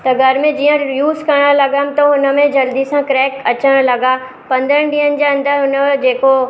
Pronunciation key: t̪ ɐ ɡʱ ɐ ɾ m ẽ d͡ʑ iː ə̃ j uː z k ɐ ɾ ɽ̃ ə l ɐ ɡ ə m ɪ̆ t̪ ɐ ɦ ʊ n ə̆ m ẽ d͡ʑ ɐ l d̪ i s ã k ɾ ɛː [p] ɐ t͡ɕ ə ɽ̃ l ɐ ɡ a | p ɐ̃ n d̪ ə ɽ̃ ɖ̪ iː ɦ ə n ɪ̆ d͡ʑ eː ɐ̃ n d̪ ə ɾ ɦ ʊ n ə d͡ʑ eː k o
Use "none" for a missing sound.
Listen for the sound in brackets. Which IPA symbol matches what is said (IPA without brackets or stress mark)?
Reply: k